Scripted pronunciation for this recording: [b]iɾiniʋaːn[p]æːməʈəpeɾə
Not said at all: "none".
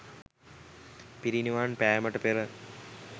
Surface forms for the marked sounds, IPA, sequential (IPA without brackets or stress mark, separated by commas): p, p